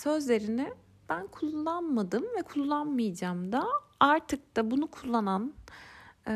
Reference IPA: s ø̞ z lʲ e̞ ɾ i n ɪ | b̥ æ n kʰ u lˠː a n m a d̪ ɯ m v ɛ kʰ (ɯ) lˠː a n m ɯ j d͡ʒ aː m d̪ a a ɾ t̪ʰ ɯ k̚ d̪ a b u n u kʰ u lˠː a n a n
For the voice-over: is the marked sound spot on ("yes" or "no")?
no